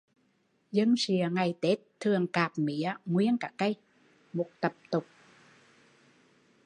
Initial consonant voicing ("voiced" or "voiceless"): voiced